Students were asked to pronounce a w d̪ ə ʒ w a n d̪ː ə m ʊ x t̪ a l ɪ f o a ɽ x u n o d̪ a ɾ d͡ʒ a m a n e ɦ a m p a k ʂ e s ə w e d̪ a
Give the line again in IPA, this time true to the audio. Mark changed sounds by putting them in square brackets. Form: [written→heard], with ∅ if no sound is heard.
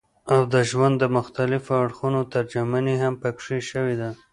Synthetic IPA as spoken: a w d̪ ə ʒ w a n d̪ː ə m ʊ x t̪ a l ɪ f o a ɽ x u n o [d̪→t̪] a ɾ d͡ʒ a m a n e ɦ a m p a k ʂ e [s→ʃ] ə w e d̪ a